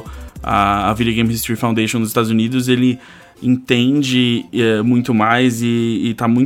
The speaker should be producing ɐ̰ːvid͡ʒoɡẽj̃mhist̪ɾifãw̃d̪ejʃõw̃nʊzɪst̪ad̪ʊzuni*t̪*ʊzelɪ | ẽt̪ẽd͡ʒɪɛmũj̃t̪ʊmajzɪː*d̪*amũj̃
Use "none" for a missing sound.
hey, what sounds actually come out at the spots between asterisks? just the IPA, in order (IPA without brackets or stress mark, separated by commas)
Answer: d̪, t̪